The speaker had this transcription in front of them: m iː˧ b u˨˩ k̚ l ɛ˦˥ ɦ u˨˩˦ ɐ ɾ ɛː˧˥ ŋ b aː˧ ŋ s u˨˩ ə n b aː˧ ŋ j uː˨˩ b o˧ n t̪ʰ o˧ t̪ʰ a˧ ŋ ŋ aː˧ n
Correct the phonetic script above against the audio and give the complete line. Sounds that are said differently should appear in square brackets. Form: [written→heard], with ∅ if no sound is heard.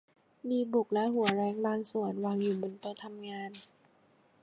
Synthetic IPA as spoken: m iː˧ b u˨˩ k̚ l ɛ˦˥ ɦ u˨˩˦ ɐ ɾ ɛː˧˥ ŋ b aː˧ ŋ s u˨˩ ə n [b→w] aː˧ ŋ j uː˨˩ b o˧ n [t̪ʰ→t̪] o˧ t̪ʰ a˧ [ŋ→m] ŋ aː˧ n